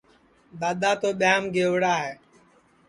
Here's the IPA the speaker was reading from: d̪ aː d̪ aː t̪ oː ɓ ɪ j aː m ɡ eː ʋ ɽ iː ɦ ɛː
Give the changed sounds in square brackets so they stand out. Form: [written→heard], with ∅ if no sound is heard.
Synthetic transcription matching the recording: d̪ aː d̪ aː t̪ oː ɓ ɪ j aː m ɡ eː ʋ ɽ [iː→aː] ɦ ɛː

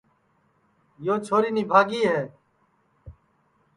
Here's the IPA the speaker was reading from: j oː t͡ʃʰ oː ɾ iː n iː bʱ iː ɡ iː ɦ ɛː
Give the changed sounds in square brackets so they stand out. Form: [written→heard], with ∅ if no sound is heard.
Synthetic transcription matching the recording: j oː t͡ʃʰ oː ɾ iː n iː bʱ [iː→aː] ɡ iː ɦ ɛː

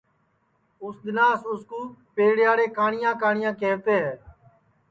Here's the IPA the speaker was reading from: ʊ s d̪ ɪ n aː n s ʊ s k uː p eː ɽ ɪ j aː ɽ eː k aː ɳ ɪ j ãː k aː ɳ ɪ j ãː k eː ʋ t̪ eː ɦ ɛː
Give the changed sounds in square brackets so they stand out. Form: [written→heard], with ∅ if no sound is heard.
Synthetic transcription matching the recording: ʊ s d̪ ɪ n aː [n→∅] s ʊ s k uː p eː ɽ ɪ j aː ɽ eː k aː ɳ ɪ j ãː k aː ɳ ɪ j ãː k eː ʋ t̪ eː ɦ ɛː

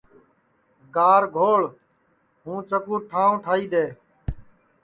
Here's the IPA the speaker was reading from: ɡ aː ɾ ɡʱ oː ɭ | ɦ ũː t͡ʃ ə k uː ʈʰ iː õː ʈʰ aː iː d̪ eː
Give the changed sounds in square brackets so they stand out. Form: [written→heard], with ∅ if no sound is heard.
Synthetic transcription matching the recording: ɡ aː ɾ ɡʱ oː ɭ | ɦ ũː t͡ʃ ə k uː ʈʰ [iː→aː] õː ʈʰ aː iː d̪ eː

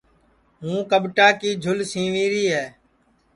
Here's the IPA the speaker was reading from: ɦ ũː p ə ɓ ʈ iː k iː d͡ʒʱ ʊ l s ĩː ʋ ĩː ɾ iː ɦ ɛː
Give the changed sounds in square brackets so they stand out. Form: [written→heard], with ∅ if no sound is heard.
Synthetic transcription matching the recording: ɦ ũː [p→k] ə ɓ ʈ [iː→aː] k iː d͡ʒʱ ʊ l s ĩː ʋ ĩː ɾ iː ɦ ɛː

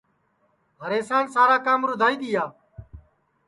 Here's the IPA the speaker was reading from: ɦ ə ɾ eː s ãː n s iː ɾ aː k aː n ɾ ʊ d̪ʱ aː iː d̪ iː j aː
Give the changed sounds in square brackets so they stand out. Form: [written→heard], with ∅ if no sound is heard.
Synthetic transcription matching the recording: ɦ ə ɾ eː s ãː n s [iː→aː] ɾ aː k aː [n→m] ɾ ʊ d̪ʱ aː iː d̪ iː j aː

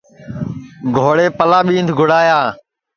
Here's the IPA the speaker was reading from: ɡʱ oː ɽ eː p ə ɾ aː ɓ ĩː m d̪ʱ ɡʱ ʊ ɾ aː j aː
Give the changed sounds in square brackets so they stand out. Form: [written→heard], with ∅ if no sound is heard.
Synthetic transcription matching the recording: ɡʱ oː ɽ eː p ə [ɾ→l] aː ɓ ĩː [m→n] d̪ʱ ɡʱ ʊ [ɾ→ɽ] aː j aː

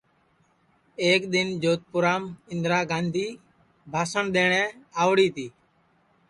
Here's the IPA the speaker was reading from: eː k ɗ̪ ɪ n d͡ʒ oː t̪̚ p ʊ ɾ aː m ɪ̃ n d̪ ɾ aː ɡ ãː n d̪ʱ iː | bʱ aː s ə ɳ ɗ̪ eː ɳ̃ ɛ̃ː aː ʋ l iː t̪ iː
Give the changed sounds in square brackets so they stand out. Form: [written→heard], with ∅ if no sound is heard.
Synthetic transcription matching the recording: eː k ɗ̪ ɪ n d͡ʒ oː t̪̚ p ʊ ɾ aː m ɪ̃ n d̪ ɾ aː ɡ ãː n d̪ʱ iː | bʱ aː s ə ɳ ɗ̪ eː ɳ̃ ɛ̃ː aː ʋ [l→ɽ] iː t̪ iː

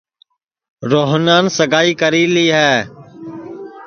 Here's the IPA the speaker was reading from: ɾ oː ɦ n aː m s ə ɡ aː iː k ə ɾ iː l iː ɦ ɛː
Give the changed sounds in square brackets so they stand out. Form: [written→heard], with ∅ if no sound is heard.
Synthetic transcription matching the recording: ɾ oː ɦ n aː [m→n] s ə ɡ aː iː k ə ɾ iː l iː ɦ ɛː

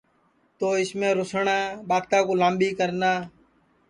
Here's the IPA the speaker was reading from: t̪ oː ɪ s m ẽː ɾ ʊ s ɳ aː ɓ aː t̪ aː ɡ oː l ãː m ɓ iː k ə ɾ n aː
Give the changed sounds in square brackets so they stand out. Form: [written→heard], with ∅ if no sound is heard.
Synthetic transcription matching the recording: t̪ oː ɪ s m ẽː ɾ ʊ s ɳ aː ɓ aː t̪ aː [ɡ→k] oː l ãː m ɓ iː k ə ɾ n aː

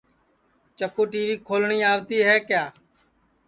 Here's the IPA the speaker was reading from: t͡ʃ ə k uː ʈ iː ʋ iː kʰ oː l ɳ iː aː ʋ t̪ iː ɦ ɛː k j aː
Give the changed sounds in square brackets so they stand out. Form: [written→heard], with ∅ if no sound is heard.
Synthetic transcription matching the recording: t͡ʃ ə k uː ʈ iː ʋ iː kʰ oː l ɳ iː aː ʋ t̪ iː ɦ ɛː k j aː

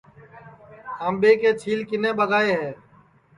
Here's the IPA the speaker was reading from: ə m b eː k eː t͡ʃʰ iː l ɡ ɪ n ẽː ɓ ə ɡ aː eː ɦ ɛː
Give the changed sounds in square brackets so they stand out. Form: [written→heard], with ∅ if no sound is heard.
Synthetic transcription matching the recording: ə m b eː k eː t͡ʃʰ iː l [ɡ→k] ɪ n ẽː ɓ ə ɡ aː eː ɦ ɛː

